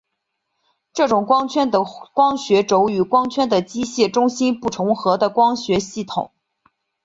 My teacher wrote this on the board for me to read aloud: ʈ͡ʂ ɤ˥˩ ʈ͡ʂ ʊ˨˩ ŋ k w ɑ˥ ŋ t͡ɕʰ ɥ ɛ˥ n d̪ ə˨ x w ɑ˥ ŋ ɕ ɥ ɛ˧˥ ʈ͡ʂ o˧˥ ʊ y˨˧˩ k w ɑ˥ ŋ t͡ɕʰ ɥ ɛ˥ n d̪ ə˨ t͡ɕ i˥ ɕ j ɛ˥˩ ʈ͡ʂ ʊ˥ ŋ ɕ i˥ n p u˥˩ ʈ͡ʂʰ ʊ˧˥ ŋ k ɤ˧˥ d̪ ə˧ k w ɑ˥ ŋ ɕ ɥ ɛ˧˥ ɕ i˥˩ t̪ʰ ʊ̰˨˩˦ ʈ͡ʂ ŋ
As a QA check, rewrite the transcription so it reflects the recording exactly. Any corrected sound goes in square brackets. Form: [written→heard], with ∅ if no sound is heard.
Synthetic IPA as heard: ʈ͡ʂ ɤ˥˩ ʈ͡ʂ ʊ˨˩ ŋ k w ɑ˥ ŋ t͡ɕʰ ɥ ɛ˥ n d̪ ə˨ [x→k] w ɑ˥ ŋ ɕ ɥ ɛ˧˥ ʈ͡ʂ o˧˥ ʊ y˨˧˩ k w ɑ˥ ŋ t͡ɕʰ ɥ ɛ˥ n d̪ ə˨ t͡ɕ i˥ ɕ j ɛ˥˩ ʈ͡ʂ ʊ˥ ŋ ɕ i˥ n p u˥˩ ʈ͡ʂʰ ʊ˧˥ ŋ [k→x] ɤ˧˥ d̪ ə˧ k w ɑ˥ ŋ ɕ ɥ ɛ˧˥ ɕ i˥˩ t̪ʰ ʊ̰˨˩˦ [ʈ͡ʂ→∅] ŋ